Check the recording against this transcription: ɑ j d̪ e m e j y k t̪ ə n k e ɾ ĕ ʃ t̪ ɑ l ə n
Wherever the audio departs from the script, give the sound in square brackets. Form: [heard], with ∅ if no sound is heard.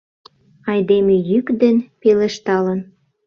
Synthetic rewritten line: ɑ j d̪ e m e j y k [d̪] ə n [p] e [l] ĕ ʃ t̪ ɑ l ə n